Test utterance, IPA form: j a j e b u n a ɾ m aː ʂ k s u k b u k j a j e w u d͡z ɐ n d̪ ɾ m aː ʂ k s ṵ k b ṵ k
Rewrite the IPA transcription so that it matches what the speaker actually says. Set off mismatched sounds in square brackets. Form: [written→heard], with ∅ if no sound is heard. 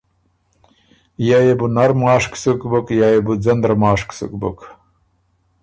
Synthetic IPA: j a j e b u n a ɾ m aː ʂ k s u k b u k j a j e [w→b] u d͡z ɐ n d̪ ɾ m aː ʂ k s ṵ k b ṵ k